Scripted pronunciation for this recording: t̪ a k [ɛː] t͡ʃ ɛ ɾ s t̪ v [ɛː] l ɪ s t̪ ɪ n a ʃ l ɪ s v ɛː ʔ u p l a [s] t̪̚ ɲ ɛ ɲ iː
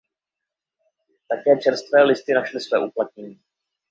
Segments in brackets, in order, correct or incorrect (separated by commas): correct, correct, incorrect